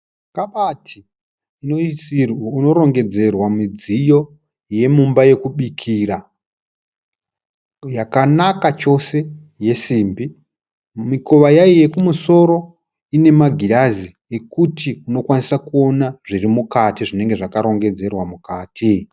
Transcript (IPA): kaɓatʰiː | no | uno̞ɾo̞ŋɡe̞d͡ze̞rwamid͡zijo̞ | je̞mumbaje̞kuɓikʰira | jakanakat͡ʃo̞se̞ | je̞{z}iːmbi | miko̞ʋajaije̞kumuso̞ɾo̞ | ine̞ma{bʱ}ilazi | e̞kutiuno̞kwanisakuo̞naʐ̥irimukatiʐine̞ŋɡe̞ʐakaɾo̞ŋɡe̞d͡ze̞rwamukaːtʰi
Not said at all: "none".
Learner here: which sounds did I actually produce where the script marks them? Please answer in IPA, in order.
s, ɡʱ

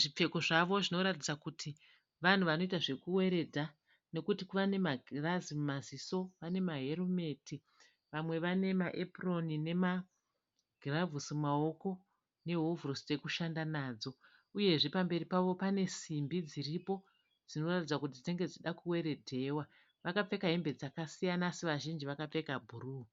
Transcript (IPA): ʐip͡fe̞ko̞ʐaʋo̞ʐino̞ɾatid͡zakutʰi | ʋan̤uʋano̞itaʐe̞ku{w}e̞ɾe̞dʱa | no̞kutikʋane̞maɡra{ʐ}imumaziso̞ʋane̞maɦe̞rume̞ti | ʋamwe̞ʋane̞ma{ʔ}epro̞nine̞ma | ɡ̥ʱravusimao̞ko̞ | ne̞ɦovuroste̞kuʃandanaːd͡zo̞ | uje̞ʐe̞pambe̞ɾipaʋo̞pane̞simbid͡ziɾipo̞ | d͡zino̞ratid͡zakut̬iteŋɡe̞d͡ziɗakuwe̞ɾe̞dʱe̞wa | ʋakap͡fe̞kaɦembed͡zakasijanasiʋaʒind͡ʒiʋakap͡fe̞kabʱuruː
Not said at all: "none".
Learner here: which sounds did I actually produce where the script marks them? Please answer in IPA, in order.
w, z, ʔ

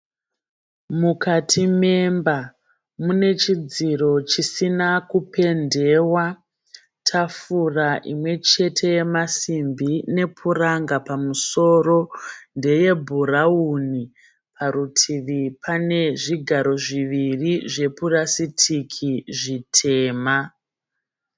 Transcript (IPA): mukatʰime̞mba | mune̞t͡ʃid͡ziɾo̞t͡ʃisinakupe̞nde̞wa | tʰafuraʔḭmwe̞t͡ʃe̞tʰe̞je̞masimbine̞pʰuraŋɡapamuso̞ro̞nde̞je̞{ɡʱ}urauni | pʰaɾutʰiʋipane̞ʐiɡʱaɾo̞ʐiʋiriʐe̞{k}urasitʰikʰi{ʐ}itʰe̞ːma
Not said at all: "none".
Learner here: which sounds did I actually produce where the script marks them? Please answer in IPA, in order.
bʱ, p, ʐ

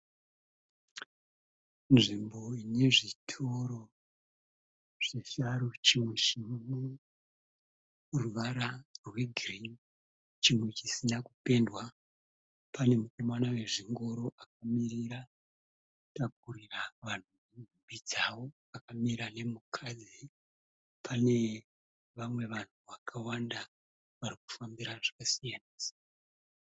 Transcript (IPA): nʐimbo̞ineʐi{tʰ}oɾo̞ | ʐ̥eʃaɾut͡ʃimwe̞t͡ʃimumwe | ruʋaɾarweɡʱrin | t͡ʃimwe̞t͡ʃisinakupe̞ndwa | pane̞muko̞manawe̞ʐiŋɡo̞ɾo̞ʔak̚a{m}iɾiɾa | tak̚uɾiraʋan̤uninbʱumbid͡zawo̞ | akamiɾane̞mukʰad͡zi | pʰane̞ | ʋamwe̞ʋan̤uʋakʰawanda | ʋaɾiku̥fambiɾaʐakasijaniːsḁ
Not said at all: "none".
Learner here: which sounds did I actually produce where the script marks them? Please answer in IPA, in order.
tʰ, m

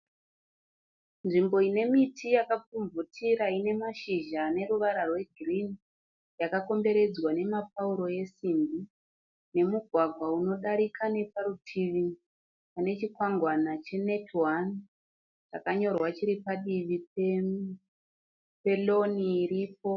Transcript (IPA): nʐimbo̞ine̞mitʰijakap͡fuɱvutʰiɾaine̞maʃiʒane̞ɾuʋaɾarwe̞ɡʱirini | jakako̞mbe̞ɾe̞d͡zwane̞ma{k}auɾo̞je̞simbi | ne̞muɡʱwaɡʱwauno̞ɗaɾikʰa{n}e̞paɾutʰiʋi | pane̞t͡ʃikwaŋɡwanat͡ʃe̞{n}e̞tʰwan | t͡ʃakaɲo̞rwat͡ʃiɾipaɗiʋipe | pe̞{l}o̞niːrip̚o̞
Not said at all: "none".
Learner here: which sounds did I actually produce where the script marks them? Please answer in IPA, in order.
p, n, n, l

